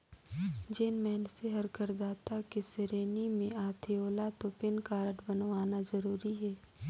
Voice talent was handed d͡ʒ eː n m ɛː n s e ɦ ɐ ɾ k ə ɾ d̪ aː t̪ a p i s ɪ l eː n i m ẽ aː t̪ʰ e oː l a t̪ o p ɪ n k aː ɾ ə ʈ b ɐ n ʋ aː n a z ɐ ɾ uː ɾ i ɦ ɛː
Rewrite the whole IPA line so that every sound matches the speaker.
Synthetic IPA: d͡ʒ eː n m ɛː n s e ɦ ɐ ɾ k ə ɾ d̪ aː t̪ a k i s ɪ ɾ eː n i m ẽ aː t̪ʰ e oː l a t̪ o p ɪ n k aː ɾ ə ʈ b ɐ n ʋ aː n a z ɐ ɾ uː ɾ i ɦ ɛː